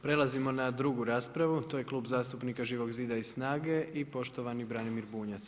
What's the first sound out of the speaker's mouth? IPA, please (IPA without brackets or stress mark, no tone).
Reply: p